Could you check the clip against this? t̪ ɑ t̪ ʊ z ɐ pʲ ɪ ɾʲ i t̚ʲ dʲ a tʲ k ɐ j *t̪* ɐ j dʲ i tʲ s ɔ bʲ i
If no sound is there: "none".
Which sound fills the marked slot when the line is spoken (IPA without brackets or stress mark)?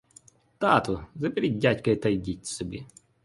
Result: t̪